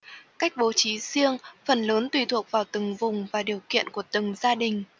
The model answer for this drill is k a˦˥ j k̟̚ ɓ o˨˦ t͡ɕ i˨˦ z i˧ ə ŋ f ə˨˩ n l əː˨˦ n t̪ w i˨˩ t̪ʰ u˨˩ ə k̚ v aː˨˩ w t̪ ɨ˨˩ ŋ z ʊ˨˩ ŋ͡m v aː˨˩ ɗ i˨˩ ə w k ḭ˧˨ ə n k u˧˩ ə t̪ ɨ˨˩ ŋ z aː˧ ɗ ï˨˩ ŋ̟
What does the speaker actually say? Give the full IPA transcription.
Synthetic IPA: k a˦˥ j k̟̚ ɓ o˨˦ t͡ɕ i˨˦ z i˧ ə ŋ f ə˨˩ n l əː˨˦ n t̪ w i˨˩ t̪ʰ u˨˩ ə k̚ v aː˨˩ w t̪ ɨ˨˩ ŋ v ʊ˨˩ ŋ͡m v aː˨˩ ɗ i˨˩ ə w k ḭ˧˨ ə n k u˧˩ ə t̪ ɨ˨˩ ŋ z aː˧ ɗ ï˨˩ ŋ̟